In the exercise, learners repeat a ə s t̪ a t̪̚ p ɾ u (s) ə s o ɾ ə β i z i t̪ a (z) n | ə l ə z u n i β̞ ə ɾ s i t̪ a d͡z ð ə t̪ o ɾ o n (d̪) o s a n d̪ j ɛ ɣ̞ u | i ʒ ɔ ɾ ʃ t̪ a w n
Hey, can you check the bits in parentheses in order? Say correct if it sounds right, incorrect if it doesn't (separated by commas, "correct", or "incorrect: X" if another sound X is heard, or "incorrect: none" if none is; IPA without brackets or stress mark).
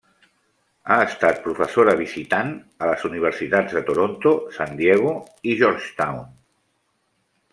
incorrect: f, incorrect: none, incorrect: t̪